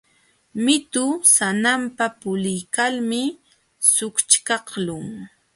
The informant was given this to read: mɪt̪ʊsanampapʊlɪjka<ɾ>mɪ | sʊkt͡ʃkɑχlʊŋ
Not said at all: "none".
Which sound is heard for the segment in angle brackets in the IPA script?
l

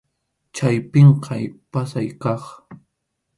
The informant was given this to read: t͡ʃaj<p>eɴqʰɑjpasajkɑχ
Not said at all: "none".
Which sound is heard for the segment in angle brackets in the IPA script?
p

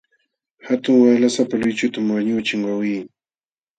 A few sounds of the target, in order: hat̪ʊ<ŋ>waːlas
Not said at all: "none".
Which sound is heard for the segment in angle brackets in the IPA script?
ŋ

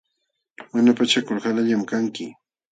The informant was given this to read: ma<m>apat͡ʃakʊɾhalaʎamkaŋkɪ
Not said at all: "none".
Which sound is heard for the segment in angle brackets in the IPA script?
n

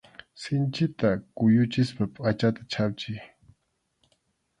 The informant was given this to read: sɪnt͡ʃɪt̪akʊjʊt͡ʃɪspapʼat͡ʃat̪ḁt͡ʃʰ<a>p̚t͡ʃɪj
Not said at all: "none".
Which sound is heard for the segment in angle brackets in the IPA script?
a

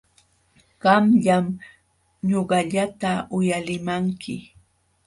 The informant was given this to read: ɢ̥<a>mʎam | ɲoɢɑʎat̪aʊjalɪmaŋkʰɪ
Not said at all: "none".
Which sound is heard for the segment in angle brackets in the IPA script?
ɑ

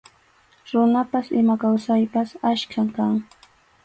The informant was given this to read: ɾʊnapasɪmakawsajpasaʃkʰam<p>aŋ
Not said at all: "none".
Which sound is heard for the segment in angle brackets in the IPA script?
k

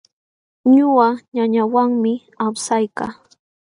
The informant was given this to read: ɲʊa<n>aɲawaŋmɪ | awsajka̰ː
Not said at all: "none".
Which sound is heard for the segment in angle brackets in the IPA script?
ɲ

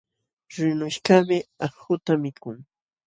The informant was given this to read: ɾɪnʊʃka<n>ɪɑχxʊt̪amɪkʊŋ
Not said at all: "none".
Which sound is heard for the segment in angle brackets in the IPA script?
m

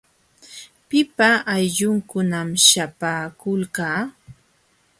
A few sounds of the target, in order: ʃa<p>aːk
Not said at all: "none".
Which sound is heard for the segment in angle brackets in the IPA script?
p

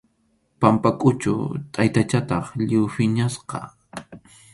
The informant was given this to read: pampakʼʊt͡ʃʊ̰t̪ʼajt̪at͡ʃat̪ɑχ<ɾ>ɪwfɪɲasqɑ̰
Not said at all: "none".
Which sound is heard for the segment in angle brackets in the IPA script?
ʎ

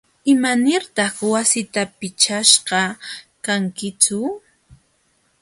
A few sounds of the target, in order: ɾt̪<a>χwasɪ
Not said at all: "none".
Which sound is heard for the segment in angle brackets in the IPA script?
ɑ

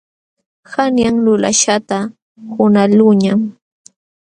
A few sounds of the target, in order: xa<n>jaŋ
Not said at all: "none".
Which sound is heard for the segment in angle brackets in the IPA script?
n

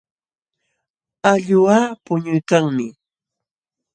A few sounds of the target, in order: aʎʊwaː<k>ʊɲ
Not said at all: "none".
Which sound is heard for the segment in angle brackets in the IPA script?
p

